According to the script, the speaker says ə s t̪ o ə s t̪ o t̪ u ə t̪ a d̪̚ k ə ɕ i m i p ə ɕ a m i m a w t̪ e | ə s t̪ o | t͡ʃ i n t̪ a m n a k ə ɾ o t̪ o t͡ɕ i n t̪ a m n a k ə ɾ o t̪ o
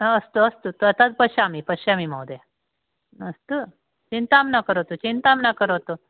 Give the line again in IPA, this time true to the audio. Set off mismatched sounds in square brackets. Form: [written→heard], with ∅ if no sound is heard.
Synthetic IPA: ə s t̪ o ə s t̪ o t̪ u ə t̪ a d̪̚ [k→p] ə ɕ [i→a] m i p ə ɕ a m i m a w [t̪→d̪] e | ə s t̪ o | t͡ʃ i n t̪ a m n a k ə ɾ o t̪ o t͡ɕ i n t̪ a m n a k ə ɾ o t̪ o

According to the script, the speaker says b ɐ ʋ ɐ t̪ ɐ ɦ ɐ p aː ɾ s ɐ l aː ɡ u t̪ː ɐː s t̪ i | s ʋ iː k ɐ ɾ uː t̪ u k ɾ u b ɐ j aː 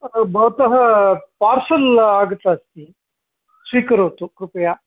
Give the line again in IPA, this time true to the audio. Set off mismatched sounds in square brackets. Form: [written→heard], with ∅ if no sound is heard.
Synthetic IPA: b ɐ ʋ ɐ t̪ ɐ ɦ ɐ p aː ɾ s ɐ l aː ɡ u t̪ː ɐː s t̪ i | s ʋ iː k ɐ ɾ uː t̪ u k ɾ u [b→p] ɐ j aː

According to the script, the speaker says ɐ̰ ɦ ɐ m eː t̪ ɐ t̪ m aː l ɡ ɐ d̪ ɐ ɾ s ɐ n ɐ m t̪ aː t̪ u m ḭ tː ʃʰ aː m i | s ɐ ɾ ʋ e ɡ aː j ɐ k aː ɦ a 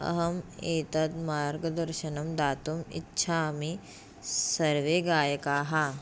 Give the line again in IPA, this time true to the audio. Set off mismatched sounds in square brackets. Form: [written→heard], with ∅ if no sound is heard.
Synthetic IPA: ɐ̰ ɦ ɐ m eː t̪ ɐ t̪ m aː [l→ɾ] ɡ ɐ d̪ ɐ ɾ [s→ʃ] ɐ n ɐ m [t̪→d̪] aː t̪ u m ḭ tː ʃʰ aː m i | s ɐ ɾ ʋ e ɡ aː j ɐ k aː ɦ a

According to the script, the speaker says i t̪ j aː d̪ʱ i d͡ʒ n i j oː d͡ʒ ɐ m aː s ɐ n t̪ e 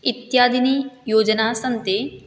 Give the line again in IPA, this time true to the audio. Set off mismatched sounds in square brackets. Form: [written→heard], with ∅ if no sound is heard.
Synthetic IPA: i t̪ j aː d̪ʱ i [d͡ʒ→∅] n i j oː d͡ʒ ɐ [m→n] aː s ɐ n t̪ e

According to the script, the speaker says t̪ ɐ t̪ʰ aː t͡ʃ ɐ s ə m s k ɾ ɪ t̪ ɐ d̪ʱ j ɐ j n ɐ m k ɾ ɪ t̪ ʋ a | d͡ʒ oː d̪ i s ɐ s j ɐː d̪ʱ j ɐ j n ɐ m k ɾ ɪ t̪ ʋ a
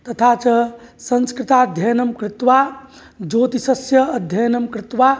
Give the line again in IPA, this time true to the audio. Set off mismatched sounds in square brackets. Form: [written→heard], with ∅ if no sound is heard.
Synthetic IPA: t̪ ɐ t̪ʰ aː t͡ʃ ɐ s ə [m→n] s k ɾ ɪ t̪ [ɐ→a] d̪ʱ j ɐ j n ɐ m k ɾ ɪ t̪ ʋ a | d͡ʒ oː [d̪→t̪] i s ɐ s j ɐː d̪ʱ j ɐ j n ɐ m k ɾ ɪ t̪ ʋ a

